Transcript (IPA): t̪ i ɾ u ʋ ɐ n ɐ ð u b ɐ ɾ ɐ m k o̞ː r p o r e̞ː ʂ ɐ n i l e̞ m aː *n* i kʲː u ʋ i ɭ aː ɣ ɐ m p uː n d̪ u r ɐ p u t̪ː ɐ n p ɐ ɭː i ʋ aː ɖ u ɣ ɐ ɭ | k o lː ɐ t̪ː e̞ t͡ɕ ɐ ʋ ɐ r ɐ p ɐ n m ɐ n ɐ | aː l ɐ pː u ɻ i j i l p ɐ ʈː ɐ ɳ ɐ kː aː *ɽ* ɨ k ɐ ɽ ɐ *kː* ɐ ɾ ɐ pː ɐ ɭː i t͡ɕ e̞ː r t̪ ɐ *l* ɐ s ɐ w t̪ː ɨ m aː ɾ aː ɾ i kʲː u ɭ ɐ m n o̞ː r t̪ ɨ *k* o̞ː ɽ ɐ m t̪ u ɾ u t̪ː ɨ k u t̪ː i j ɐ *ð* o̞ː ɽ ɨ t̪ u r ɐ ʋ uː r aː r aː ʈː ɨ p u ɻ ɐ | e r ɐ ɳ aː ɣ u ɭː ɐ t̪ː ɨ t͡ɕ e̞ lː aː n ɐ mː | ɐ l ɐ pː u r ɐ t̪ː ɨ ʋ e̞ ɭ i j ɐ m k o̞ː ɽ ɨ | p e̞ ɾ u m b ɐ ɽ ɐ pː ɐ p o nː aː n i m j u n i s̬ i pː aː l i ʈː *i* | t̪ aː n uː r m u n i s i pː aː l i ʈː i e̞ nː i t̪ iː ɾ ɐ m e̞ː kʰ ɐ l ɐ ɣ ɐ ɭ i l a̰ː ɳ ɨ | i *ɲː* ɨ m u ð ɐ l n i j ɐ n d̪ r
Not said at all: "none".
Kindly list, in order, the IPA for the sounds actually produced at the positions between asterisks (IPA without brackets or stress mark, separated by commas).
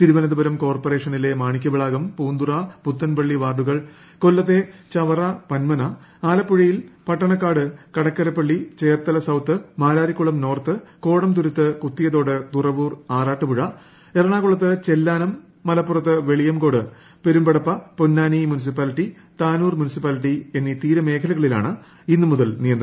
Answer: ɳ, ɽ, kː, l, k, ð, i, nː